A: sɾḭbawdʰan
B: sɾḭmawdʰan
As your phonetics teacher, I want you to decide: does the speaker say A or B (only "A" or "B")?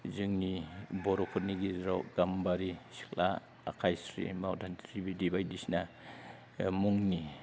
B